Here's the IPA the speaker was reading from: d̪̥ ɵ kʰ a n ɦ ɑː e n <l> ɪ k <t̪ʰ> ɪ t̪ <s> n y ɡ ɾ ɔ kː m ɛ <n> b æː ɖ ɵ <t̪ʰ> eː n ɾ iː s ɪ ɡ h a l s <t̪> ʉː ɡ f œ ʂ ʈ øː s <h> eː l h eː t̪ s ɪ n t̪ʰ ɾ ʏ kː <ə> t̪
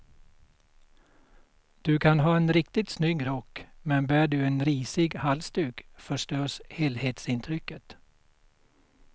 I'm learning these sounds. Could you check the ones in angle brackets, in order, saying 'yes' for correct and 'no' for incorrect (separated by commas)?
no, no, yes, yes, no, yes, yes, yes